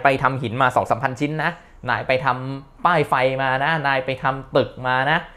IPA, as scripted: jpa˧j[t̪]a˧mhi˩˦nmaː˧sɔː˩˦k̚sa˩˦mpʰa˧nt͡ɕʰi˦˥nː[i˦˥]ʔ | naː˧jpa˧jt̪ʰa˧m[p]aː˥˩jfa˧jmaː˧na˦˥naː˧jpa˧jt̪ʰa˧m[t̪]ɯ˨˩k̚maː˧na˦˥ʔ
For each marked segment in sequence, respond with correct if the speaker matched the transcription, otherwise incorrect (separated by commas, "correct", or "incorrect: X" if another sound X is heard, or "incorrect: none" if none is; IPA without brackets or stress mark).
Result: incorrect: t̪ʰ, incorrect: a˦˥, correct, correct